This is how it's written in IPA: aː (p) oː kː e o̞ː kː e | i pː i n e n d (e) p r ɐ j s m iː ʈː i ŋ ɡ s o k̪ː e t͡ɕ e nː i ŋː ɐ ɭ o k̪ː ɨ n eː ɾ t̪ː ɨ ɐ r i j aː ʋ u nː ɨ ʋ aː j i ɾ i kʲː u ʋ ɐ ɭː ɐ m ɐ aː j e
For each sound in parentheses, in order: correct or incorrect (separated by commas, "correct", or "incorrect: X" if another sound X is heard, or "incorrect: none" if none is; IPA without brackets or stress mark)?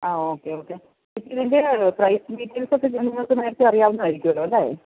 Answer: incorrect: none, correct